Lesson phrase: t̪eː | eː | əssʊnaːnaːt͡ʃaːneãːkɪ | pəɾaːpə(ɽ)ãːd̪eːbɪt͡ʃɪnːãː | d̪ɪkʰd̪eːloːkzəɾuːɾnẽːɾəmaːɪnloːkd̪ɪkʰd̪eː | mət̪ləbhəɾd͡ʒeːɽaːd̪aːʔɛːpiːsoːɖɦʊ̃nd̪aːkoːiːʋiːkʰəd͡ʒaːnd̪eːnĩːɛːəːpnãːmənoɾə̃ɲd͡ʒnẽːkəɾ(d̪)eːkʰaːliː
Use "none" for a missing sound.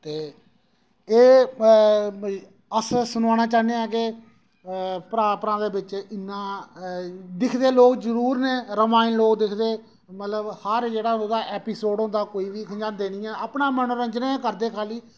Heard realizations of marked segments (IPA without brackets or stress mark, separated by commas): ɾ, d̪